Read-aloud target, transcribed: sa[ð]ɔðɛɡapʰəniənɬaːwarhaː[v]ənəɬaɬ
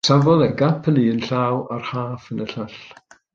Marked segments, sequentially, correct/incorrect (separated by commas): incorrect, incorrect